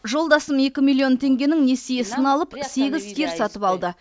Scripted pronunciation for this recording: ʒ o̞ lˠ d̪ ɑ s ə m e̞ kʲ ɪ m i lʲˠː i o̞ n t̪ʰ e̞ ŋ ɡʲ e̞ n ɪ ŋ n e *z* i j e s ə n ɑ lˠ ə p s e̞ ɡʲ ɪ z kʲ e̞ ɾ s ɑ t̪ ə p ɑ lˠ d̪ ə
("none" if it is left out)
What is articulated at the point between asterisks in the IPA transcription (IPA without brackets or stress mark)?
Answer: s